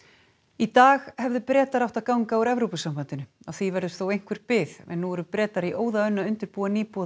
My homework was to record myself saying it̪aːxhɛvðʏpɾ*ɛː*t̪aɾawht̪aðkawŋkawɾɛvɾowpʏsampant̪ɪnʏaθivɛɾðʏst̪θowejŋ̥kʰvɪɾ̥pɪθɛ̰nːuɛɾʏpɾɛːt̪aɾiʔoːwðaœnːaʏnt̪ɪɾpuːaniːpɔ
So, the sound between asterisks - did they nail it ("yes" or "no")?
yes